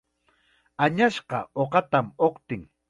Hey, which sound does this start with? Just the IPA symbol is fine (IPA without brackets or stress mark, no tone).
a